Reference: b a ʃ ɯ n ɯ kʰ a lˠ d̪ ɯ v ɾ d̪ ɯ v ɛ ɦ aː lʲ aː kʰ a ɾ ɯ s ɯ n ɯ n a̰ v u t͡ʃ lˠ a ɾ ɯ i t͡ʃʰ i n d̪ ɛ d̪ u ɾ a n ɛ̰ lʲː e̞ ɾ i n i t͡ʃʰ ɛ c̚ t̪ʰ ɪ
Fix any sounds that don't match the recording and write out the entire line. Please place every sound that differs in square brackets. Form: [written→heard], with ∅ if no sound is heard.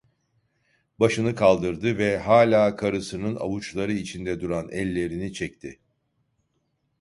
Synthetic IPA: b a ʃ ɯ n ɯ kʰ a lˠ d̪ ɯ [v→∅] ɾ d̪ ɯ v ɛ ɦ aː lʲ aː kʰ a ɾ ɯ s ɯ n ɯ n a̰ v u t͡ʃ lˠ a ɾ ɯ i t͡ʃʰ i n d̪ ɛ d̪ u ɾ a n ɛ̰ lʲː e̞ ɾ i n i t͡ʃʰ ɛ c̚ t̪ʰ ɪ